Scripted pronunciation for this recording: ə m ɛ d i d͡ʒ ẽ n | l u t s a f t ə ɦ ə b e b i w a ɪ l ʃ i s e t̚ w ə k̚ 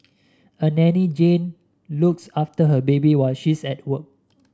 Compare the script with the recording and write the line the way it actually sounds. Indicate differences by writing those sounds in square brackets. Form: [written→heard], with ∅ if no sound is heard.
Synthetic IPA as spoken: ə [m→n] ɛ [d→n] i d͡ʒ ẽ n | l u [t→k] s a f t ə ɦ ə b e b i w a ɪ l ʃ i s [e→ɛ] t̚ w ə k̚